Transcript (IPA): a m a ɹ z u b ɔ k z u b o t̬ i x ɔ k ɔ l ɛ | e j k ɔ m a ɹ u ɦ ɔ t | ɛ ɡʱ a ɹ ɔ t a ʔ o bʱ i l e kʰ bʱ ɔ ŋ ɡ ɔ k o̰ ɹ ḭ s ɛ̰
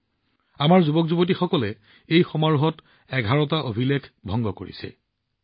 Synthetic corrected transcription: a m a ɹ z u b ɔ k z u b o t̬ i x ɔ k ɔ l ɛ | e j x ɔ m a ɹ u ɦ ɔ t | ɛ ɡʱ a ɹ ɔ t a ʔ o bʱ i l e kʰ bʱ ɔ ŋ ɡ ɔ k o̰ ɹ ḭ s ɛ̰